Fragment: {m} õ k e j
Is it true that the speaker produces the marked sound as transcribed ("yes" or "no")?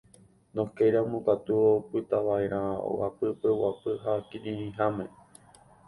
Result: no